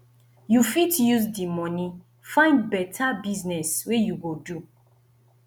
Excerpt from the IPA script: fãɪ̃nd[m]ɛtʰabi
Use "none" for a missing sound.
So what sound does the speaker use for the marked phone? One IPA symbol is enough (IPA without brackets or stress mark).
b